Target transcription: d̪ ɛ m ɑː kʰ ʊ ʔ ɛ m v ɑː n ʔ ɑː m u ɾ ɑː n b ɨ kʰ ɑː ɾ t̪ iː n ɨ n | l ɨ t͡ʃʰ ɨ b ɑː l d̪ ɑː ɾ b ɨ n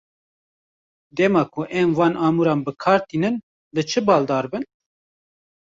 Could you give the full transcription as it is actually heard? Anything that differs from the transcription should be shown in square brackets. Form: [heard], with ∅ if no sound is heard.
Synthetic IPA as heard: d̪ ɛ m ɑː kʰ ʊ ʔ ɛ m v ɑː n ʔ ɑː m u ɾ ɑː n b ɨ kʰ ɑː ɾ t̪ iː n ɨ n | l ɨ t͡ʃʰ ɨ b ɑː l d̪ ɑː ɾ b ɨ n